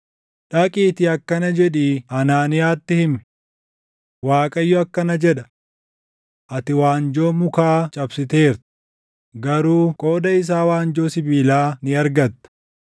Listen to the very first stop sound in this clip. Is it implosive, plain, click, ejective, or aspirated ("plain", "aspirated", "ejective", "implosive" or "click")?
ejective